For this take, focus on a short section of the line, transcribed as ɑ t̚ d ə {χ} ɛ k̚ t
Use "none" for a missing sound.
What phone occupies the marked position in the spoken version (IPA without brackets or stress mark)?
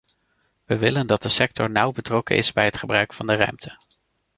s